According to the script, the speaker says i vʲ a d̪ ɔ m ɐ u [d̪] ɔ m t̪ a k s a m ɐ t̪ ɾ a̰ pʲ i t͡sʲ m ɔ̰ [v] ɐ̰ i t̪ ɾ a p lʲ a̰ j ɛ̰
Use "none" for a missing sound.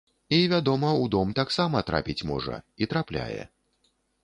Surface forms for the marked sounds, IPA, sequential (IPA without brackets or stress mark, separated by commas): d̪, ʐ